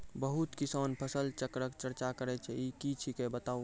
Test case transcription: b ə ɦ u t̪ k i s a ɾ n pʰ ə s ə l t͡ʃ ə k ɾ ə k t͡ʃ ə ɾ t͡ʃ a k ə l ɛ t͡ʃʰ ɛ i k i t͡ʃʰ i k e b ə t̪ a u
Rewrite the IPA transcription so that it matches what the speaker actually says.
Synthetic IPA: b ə ɦ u t̪ k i s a n pʰ ə s ə l t͡ʃ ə k ɾ ə k t͡ʃ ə ɾ t͡ʃ a k ə ɾ ɛ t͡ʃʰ ɛ i k i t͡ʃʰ i k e b ə t̪ a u